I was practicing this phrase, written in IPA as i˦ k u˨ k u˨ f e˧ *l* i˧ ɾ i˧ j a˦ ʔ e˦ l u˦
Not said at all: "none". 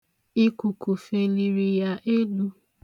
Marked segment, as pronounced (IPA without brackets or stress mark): l